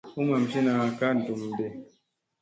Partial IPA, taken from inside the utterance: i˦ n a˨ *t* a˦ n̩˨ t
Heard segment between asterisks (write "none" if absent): k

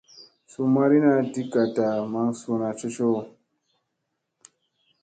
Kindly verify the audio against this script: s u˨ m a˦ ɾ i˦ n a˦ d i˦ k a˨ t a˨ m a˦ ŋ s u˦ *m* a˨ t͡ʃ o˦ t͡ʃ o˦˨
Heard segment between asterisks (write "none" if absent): n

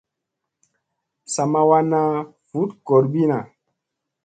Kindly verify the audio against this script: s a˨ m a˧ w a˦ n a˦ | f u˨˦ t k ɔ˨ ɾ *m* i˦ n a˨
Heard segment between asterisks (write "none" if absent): b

